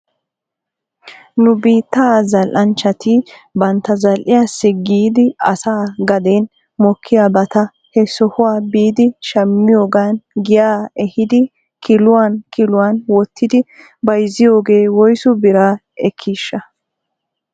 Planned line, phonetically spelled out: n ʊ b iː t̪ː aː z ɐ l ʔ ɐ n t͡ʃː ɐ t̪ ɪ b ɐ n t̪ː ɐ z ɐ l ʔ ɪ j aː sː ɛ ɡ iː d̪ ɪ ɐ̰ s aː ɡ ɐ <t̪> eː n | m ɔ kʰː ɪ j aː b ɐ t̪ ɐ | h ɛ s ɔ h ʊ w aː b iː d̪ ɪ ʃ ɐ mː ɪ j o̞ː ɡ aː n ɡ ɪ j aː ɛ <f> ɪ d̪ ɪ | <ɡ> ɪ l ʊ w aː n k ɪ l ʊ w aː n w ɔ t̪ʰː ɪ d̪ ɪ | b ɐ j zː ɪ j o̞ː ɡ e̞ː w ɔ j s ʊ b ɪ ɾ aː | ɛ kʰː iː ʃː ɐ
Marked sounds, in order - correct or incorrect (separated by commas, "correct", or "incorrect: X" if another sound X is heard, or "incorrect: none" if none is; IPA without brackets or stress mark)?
incorrect: d̪, incorrect: h, incorrect: k